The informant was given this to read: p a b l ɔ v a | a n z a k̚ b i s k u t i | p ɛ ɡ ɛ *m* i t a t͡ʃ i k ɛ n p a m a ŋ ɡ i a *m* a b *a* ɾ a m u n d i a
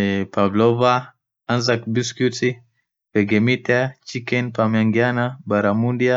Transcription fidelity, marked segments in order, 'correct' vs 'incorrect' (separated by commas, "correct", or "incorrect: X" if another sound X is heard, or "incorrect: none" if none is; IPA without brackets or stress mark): correct, incorrect: n, correct